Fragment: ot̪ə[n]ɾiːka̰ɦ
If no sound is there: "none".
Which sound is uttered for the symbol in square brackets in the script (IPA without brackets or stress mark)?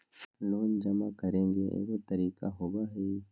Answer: none